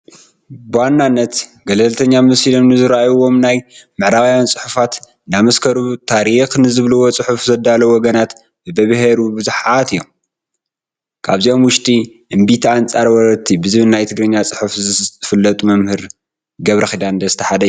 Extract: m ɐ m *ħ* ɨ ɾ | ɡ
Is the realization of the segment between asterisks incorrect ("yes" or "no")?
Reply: yes